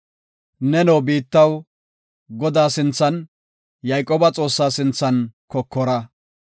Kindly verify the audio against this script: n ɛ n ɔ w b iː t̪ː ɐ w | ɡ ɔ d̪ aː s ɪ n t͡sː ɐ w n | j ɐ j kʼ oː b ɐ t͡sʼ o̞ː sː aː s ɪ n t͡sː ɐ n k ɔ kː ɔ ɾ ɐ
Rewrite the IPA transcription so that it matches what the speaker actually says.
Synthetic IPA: n ɛ n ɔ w b iː t̪ː ɐ w | ɡ ɔ d̪ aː s ɪ n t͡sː ɐ n | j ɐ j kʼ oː b ɐ t͡sʼ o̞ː sː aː s ɪ n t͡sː ɐ n k ɔ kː ɔ ɾ ɐ